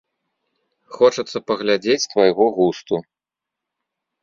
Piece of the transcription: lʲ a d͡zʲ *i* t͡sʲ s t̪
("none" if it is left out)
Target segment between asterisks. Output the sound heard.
e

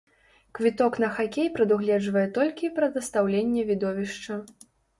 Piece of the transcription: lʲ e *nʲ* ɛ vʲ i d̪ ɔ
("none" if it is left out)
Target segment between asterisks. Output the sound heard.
nʲː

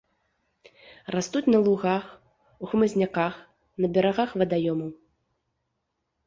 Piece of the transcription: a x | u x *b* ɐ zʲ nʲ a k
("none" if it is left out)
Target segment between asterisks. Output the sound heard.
m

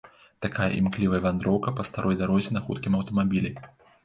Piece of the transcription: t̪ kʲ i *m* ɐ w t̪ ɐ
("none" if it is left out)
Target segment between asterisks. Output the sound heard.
m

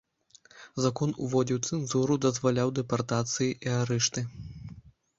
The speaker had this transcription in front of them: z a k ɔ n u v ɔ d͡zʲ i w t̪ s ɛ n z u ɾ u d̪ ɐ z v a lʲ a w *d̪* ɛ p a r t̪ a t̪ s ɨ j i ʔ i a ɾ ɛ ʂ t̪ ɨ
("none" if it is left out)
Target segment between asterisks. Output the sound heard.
d̪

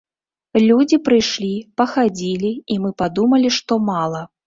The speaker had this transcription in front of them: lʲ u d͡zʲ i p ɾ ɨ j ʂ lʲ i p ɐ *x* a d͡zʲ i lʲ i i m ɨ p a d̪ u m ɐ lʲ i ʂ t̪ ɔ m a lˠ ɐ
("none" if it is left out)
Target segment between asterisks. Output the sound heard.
x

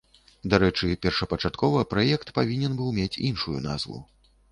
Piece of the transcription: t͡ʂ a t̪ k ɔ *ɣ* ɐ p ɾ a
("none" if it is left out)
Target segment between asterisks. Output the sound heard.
v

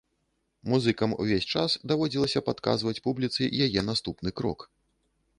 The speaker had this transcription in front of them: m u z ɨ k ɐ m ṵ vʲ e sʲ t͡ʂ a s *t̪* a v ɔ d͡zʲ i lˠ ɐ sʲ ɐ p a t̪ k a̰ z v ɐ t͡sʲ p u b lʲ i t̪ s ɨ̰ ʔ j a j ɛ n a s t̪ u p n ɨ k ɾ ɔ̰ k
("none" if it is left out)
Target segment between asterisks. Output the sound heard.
d̪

